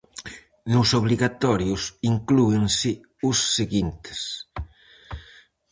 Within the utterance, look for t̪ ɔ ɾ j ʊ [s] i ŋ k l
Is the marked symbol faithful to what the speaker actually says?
yes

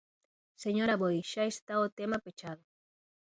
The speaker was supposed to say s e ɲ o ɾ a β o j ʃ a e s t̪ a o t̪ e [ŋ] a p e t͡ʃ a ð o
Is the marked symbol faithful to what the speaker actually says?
no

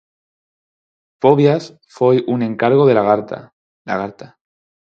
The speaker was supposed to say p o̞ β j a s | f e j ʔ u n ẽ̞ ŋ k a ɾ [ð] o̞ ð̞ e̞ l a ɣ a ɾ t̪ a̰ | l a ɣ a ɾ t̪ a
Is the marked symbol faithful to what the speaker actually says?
no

